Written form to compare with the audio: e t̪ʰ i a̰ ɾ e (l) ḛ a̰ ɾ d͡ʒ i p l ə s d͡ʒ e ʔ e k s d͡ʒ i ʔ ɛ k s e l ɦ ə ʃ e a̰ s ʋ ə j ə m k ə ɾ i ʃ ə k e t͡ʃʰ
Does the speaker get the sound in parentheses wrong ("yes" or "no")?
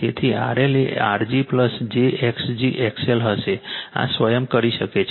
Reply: no